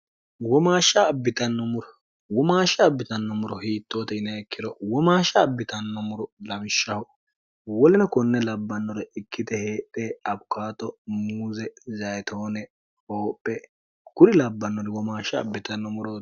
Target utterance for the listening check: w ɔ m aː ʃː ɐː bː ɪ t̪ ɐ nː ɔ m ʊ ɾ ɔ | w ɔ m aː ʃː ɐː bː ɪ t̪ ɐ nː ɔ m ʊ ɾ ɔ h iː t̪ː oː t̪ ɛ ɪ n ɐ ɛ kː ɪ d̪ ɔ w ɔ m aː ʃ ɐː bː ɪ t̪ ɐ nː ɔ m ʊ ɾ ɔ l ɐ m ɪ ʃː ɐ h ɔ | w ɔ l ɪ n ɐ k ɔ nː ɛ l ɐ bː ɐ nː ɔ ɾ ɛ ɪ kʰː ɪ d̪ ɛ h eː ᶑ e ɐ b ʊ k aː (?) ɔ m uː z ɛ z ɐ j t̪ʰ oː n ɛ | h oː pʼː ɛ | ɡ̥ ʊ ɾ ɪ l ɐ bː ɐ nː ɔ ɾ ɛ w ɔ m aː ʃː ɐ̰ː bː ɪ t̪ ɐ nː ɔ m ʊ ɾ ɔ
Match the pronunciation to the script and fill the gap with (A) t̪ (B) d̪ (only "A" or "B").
A